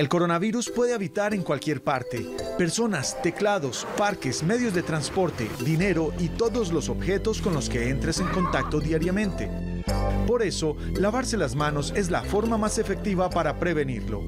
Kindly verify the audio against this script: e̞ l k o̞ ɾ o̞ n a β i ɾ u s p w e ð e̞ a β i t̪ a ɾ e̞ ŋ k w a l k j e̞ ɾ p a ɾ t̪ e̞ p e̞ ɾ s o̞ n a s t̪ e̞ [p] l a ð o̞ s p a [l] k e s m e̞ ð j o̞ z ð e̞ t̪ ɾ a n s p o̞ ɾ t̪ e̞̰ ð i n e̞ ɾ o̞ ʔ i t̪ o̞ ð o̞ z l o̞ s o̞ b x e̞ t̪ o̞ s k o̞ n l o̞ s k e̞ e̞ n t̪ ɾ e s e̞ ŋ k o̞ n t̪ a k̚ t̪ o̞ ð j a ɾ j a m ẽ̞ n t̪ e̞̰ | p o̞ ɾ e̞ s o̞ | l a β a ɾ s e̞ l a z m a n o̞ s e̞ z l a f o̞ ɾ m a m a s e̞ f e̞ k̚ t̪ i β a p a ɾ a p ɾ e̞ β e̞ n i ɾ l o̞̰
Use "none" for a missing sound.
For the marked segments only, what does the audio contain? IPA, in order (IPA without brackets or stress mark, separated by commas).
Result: k, ɾ